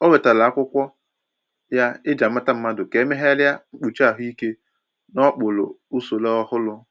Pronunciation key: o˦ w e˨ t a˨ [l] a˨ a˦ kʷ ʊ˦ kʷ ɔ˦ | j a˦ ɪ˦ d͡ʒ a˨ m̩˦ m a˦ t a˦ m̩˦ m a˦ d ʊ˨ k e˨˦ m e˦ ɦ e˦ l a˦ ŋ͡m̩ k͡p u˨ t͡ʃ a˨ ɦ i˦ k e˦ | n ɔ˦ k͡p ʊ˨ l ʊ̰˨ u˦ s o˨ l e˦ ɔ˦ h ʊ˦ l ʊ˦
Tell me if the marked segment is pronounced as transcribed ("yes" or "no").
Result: yes